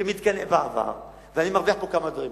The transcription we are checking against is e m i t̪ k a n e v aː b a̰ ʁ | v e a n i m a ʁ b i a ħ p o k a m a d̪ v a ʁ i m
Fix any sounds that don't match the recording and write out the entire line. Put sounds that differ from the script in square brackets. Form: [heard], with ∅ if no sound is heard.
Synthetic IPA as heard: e m i t̪ k a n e v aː [v] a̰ ʁ | v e a n i m a ʁ [v] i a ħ p o k a m a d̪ v a ʁ i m